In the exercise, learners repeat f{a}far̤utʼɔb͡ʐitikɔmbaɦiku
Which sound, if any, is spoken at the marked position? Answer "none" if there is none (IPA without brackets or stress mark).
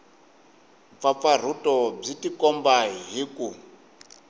a